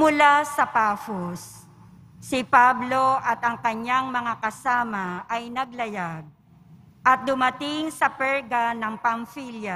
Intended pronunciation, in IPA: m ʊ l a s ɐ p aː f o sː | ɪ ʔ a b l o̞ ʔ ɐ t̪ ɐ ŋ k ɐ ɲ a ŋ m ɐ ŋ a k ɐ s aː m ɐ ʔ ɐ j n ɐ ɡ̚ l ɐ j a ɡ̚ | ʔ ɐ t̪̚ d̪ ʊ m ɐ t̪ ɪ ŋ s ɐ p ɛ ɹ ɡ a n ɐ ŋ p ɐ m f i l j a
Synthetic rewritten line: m ʊ l a s ɐ p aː f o sː | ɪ p a b l o̞ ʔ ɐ t̪ ɐ ŋ k ɐ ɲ a ŋ m ɐ ŋ a k ɐ s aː m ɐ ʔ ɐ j n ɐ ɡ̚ l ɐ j a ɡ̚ | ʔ ɐ t̪̚ d̪ ʊ m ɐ t̪ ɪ ŋ s ɐ p ɛ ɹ ɡ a n ɐ ŋ p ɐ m f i l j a